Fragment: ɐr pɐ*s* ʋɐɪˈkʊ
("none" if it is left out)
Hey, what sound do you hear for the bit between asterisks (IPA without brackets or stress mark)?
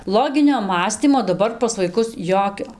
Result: s